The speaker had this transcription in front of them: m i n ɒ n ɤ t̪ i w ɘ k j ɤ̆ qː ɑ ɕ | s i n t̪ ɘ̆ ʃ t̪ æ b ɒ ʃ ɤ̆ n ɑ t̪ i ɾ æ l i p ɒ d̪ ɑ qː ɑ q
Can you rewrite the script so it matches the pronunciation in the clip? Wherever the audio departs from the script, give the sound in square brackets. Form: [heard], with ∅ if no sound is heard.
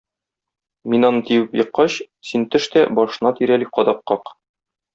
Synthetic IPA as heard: m i n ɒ n ɤ t̪ i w ɘ [p] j ɤ̆ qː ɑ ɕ | s i n t̪ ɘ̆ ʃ t̪ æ b ɒ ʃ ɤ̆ n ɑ t̪ i ɾ æ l i [q] ɒ d̪ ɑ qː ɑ q